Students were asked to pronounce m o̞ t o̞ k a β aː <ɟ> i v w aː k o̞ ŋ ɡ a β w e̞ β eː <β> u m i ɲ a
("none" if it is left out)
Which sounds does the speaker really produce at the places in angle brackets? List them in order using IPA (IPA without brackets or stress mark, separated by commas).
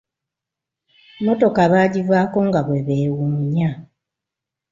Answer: ɟ, w